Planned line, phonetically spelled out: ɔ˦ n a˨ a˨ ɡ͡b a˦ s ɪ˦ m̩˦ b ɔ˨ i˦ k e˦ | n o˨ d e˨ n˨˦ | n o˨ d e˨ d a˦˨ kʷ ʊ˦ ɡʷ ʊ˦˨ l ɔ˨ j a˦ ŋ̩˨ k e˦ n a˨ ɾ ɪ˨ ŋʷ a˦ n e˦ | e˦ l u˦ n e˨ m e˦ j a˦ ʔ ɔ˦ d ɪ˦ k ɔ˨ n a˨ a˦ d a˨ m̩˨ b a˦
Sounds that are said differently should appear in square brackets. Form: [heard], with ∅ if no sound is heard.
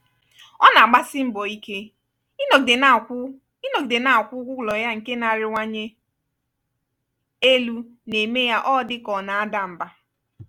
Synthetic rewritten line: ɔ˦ n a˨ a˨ ɡ͡b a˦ s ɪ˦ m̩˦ b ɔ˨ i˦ k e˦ | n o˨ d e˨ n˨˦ | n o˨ d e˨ [n] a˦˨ kʷ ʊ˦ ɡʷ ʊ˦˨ l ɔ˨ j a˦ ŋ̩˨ k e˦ n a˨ ɾ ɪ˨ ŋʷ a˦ [ɲ] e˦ | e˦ l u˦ n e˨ m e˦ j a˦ ʔ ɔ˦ d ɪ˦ k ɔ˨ n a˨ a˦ d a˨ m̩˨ b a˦